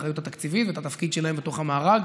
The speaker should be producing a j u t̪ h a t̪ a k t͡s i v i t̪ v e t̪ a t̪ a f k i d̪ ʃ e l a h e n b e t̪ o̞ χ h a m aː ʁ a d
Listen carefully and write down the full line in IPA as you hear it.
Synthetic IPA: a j u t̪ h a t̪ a k t͡s i v i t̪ v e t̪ a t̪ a f k i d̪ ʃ e l a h e m b e t̪ o̞ χ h a m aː ʁ a ɡ